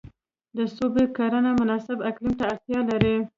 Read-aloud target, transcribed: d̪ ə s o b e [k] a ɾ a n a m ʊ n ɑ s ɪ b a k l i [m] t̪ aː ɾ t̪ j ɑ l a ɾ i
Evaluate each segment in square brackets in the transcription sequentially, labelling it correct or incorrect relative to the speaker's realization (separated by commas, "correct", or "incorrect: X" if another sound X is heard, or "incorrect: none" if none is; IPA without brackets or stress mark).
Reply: correct, correct